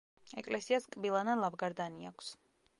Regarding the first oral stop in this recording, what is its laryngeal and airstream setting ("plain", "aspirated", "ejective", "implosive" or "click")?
ejective